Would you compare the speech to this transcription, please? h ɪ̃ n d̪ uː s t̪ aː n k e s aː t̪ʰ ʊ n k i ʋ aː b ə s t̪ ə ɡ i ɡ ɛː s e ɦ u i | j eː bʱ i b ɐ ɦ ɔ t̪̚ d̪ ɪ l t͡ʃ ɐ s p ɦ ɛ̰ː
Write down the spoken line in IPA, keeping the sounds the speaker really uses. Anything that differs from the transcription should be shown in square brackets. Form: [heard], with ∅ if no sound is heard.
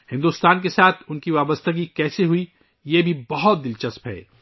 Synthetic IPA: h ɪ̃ n d̪ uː s t̪ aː n k e s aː t̪ʰ ʊ n k i ʋ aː b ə s t̪ ə ɡ i [k] ɛː s e ɦ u i | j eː bʱ i b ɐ ɦ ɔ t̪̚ d̪ ɪ l t͡ʃ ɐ s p ɦ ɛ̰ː